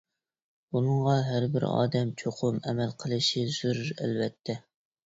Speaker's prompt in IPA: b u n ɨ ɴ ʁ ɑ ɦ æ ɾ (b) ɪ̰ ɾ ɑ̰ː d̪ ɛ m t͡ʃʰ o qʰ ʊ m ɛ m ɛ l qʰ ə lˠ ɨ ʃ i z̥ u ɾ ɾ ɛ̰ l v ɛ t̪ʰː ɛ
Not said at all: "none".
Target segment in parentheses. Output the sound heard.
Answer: b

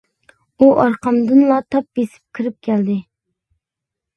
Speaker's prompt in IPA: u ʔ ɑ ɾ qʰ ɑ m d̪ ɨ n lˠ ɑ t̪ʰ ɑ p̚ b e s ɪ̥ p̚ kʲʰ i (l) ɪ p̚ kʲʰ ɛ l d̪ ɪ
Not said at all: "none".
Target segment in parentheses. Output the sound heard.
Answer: ɾ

